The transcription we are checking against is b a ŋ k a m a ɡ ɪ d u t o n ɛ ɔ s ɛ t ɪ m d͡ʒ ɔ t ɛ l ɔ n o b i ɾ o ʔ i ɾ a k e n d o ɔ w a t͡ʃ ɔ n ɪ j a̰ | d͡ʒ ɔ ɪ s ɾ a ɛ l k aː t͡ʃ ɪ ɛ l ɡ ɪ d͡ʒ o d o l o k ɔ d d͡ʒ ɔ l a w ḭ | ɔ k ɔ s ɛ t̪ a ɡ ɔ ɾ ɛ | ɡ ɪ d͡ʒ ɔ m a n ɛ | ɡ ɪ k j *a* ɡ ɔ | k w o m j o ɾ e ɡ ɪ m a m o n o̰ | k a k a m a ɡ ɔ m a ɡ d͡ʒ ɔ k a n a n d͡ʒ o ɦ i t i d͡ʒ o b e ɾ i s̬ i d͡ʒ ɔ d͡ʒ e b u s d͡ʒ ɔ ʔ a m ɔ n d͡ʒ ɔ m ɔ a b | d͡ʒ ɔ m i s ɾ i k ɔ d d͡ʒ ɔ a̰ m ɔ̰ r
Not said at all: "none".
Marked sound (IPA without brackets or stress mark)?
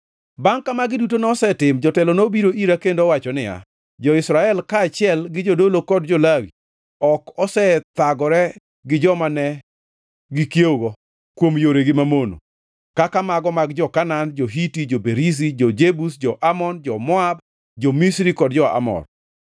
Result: e